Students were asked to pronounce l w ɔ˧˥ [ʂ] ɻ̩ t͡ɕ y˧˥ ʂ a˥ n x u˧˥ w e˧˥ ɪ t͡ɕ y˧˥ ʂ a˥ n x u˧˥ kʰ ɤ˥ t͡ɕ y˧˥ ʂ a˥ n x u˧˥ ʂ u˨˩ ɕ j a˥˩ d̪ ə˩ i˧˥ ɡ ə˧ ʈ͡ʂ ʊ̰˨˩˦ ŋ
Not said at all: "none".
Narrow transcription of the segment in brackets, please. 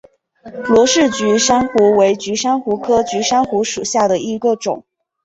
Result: ʂ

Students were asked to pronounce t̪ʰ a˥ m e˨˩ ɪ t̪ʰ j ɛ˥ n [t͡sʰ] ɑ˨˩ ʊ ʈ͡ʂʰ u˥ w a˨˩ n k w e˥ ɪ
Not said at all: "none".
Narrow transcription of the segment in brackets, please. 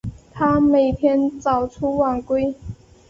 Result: t͡s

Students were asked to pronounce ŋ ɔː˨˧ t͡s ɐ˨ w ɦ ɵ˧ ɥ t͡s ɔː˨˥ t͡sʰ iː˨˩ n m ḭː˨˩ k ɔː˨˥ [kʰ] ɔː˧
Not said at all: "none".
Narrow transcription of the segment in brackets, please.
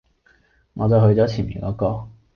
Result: k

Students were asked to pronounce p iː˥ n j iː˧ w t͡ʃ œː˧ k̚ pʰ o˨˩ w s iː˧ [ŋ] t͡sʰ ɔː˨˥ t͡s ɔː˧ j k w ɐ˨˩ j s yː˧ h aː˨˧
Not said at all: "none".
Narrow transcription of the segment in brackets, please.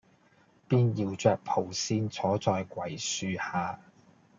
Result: n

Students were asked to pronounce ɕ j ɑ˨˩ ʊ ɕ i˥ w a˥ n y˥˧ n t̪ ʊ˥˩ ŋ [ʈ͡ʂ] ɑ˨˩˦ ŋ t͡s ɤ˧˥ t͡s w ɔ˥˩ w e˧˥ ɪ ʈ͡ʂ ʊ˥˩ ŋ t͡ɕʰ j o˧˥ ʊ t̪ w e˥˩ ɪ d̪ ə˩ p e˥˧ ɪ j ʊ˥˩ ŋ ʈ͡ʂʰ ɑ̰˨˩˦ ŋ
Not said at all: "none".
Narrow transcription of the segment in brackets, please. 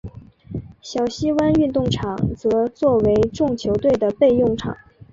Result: ʈ͡ʂʰ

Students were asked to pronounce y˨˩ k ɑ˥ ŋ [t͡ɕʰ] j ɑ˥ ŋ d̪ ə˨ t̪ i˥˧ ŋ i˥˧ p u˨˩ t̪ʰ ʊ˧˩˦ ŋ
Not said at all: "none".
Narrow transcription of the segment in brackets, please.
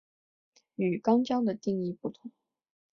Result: t͡ɕ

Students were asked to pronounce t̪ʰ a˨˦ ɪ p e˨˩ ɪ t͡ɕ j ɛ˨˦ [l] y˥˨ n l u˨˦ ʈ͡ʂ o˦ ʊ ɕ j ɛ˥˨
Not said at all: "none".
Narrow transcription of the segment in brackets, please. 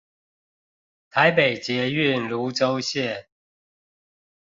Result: none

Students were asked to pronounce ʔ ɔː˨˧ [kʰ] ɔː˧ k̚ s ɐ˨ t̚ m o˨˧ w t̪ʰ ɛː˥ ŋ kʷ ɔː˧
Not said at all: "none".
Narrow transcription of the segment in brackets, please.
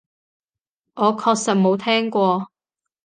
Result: kʰ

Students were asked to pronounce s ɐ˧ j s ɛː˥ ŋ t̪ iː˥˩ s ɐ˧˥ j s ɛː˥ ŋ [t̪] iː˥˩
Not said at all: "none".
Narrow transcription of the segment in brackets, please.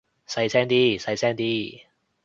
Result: t̪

